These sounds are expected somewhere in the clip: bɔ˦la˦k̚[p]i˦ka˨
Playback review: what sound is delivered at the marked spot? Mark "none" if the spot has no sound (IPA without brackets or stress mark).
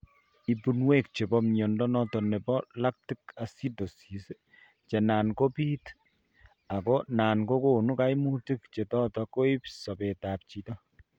t